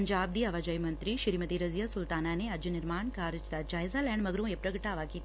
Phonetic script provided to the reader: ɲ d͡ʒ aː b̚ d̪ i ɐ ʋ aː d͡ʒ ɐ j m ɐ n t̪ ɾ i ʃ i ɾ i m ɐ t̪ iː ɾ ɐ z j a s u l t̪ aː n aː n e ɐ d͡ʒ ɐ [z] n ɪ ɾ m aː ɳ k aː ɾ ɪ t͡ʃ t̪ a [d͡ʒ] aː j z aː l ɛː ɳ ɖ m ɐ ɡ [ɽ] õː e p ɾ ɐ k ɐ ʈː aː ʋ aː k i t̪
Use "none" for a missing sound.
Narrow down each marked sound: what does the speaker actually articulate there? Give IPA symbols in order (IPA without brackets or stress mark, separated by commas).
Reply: none, d͡ʒ, ɾ